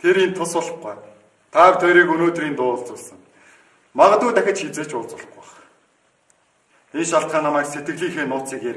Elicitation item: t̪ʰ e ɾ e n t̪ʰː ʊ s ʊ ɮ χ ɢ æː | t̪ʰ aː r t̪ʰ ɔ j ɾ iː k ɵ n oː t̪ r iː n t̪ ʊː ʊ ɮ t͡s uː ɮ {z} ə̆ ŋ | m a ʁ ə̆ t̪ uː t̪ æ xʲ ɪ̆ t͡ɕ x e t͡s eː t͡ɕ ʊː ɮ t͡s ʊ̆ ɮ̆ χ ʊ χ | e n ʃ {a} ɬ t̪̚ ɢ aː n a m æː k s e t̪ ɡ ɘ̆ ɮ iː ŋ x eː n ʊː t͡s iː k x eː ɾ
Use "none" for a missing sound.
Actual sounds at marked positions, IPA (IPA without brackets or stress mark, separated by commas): s, a